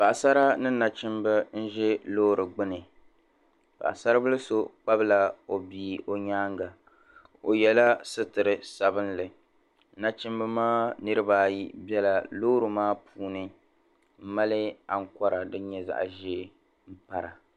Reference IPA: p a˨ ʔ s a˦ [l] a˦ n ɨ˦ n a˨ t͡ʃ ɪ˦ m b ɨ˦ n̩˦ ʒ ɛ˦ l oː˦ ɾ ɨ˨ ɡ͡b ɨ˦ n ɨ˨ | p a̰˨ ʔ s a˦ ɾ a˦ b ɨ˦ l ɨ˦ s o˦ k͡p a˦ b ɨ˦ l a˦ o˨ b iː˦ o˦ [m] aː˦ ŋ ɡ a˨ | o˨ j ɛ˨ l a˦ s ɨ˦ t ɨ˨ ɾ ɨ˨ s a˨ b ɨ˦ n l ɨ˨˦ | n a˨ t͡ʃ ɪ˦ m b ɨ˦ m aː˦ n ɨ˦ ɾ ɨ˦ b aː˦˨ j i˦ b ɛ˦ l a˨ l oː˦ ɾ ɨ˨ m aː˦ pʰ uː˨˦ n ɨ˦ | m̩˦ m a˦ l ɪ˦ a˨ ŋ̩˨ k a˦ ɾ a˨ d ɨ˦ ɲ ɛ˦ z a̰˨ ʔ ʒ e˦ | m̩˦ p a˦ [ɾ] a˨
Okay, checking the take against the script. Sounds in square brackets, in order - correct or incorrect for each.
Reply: incorrect: ɾ, incorrect: ɲ, correct

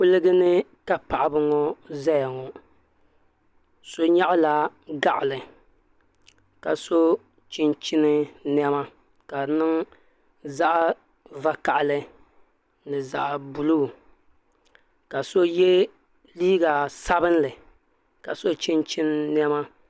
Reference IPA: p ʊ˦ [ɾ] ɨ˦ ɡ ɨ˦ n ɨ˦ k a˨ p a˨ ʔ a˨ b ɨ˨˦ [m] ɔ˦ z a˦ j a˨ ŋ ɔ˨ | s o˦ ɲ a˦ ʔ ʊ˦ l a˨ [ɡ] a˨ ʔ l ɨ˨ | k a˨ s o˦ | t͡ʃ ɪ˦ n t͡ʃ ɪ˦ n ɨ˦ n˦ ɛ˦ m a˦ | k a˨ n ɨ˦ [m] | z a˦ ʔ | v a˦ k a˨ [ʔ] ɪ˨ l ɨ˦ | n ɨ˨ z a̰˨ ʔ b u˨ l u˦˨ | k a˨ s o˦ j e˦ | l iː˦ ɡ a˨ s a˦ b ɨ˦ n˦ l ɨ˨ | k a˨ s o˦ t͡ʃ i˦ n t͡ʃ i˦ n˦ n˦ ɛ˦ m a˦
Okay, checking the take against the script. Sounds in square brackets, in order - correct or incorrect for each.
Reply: incorrect: l, incorrect: ŋ, correct, incorrect: ŋ, correct

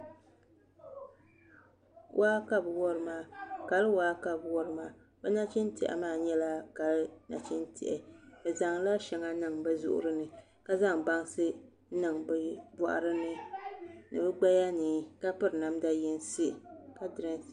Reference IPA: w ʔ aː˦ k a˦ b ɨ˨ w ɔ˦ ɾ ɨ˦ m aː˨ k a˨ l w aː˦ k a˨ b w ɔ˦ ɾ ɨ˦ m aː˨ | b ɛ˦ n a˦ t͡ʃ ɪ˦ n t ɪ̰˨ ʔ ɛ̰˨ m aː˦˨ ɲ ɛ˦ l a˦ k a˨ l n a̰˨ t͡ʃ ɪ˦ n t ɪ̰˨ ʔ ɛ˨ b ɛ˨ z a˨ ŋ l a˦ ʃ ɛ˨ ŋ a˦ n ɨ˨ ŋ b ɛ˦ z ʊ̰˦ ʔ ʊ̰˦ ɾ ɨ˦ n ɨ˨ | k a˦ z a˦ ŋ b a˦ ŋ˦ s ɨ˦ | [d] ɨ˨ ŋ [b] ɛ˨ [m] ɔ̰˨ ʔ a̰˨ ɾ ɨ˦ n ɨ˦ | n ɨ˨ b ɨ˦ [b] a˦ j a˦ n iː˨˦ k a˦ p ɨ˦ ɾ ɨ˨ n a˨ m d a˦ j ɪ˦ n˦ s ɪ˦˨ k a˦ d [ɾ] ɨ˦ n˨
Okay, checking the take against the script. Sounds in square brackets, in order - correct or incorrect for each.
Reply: incorrect: n, correct, incorrect: b, incorrect: ɡ͡b, correct

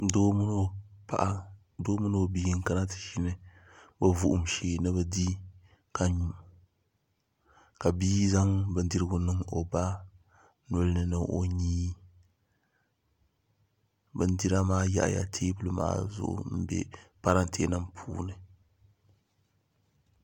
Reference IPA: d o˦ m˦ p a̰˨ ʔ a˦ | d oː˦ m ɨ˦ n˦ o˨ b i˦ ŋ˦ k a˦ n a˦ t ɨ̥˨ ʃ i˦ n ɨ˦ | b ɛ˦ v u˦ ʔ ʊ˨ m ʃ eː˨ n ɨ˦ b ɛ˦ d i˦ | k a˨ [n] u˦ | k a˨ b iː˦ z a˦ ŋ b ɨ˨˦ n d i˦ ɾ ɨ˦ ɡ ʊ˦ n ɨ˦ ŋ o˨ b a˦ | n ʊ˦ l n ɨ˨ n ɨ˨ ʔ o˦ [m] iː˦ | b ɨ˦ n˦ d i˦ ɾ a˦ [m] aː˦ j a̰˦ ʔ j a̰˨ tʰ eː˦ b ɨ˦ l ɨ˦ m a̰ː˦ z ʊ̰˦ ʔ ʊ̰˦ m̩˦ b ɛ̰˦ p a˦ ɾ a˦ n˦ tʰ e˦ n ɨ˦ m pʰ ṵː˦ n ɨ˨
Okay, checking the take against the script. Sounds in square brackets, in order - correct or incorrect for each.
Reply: incorrect: ɲ, incorrect: ɲ, correct

